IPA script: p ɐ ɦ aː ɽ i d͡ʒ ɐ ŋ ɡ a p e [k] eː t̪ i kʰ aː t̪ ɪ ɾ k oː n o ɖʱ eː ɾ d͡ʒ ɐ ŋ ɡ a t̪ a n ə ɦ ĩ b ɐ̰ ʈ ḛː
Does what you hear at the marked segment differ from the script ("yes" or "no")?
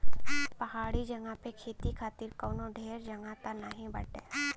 yes